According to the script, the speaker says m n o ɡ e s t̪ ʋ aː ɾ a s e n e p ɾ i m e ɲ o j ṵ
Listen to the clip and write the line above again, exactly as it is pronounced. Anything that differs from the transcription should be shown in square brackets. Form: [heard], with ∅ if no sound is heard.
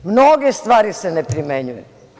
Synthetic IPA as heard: m n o ɡ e s t̪ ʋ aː ɾ [i] s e n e p ɾ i m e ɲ [u] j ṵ